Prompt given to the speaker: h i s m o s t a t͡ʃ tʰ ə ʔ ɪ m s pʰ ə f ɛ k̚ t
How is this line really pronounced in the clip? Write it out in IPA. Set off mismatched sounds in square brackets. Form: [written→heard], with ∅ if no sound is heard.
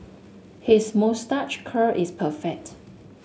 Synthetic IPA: h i s m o s t a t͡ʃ [tʰ→kʰ] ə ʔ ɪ [m→∅] s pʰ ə f ɛ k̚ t

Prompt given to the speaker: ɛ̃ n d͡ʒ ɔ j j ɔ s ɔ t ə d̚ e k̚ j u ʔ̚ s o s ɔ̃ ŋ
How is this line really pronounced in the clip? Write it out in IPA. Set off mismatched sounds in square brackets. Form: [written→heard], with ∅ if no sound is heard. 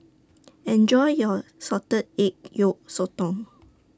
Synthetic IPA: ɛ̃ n d͡ʒ ɔ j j ɔ s ɔ t ə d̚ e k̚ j [u→o] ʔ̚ s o [s→t] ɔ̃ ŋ

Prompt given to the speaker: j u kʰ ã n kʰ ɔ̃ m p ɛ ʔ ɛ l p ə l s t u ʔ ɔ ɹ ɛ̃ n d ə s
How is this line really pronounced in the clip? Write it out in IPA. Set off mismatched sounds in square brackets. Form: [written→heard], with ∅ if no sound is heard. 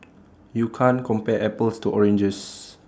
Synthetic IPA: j u kʰ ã n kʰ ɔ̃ m p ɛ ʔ ɛ [l→∅] p ə l s t u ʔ ɔ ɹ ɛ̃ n [d→d͡ʒ] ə s

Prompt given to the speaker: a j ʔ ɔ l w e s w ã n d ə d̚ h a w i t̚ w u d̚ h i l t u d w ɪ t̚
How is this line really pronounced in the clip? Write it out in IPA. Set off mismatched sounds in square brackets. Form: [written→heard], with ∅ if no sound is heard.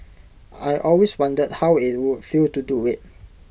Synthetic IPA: a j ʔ ɔ l w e s w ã n d ə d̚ h a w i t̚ w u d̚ [h→f] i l t u d [w→u] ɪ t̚

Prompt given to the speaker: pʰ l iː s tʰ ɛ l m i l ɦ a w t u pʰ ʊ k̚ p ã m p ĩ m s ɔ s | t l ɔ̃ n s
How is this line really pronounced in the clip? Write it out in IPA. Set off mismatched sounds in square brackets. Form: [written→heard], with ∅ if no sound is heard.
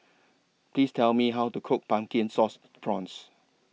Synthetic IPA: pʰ l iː s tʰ ɛ l m i [l→∅] ɦ a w t u [pʰ→kʰ] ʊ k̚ p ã m [p→k] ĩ [m→n] s ɔ s | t [l→ɹ] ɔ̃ n s

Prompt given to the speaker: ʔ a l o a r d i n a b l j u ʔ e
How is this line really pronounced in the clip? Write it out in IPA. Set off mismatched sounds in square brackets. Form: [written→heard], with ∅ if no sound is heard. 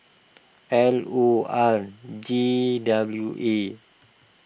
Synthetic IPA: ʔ [a→ɛ] l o a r [d→d͡ʒ] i [n→d] a b l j u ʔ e

